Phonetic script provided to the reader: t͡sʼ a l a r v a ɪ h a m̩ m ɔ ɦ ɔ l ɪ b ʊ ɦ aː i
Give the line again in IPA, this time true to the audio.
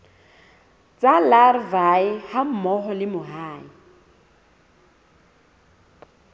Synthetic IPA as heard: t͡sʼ a l a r v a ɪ h a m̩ m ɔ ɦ ɔ l ɪ m ʊ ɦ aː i